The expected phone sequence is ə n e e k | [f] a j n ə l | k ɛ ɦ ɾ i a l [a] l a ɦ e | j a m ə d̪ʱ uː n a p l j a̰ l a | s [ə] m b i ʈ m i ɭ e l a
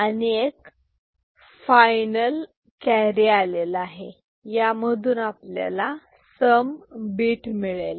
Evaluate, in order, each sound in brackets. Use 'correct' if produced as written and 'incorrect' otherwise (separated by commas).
correct, incorrect, correct